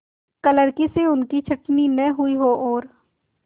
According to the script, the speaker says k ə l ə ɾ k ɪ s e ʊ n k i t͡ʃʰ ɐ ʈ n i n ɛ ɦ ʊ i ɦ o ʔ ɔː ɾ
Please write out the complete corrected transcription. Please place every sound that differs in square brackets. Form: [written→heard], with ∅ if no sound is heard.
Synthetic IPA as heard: k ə l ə ɾ k [ɪ→i] s e ʊ n k i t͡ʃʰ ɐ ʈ n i n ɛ ɦ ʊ i ɦ o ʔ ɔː ɾ